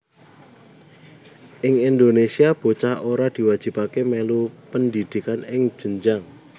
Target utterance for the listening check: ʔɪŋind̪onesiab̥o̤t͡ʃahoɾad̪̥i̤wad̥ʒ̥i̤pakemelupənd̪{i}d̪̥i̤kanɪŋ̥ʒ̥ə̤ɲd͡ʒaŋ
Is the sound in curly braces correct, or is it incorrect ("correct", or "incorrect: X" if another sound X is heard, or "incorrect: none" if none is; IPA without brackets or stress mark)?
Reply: correct